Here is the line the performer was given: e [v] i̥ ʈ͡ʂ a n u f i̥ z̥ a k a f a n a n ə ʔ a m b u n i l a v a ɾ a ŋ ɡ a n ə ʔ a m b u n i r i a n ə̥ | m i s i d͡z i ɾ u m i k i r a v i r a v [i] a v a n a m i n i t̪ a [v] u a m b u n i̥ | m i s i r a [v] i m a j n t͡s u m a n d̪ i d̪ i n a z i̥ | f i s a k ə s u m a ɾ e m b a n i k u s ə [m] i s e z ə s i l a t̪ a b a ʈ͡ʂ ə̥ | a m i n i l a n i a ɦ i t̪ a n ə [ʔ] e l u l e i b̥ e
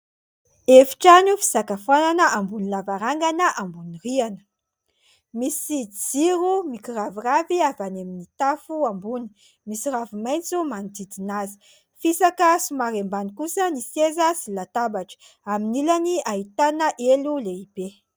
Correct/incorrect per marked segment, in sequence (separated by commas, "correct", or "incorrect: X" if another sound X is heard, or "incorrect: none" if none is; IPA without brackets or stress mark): incorrect: f, correct, incorrect: f, correct, incorrect: n, correct